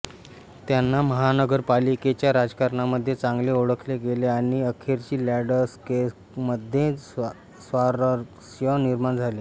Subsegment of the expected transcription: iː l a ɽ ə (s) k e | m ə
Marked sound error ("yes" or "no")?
no